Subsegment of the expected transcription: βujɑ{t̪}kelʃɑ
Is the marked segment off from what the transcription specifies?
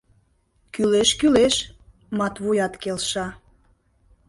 no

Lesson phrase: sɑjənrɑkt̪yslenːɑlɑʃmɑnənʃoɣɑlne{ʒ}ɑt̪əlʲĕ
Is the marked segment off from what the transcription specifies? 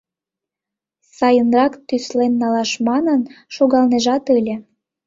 no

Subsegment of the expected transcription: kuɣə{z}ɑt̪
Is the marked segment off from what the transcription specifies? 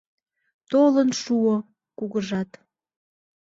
yes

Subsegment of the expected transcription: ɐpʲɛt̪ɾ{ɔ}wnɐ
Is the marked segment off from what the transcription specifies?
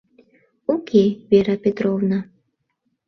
no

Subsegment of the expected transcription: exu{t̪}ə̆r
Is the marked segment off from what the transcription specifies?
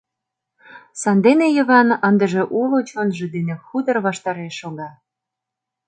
yes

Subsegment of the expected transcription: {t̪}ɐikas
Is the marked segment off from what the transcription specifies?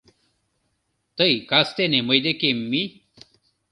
no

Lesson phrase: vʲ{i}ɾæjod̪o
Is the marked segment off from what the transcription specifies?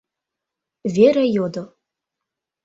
yes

